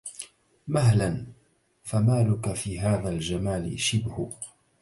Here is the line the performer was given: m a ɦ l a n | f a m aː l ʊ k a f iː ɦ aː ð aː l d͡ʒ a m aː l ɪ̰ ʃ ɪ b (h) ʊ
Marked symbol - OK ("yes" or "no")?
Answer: yes